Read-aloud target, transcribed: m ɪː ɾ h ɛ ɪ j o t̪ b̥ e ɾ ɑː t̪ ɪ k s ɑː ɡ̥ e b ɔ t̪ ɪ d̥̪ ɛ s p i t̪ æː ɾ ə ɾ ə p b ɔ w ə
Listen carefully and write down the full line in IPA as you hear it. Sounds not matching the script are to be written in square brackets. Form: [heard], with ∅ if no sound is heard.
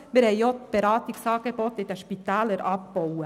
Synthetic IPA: m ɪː ɾ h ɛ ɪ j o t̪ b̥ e ɾ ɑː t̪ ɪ k s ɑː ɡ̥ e b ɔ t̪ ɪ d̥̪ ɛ [ʃ] p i t̪ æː [l] ə ɾ [ɑ] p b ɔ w ə